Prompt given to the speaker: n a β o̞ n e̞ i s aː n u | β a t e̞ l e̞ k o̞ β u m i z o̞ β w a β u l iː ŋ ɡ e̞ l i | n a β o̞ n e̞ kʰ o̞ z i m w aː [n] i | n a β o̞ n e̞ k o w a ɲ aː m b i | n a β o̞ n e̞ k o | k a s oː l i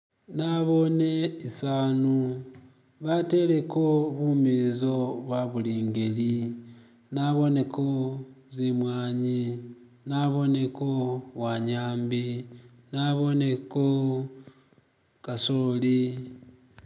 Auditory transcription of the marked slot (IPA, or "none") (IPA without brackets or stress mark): ɲ